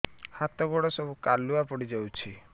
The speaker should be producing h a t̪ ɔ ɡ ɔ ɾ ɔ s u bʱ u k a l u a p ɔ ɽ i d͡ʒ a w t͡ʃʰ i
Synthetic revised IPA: h a t̪ ɔ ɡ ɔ ɽ ɔ s ɔ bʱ u k a l u a p ɔ ɽ i d͡ʒ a w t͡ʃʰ i